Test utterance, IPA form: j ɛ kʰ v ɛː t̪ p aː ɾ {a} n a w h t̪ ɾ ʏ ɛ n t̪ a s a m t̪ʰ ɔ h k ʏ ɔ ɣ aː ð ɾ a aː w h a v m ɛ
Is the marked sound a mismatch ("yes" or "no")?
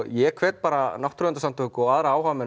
no